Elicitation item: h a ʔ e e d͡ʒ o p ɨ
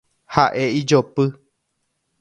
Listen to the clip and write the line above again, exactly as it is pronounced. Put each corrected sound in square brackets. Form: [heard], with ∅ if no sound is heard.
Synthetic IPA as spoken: h a ʔ e [i] d͡ʒ o p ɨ